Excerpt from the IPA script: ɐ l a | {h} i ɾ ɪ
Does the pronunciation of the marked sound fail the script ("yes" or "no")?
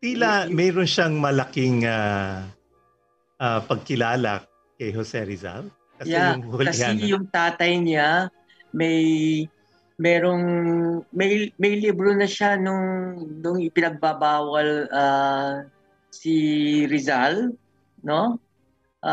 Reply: yes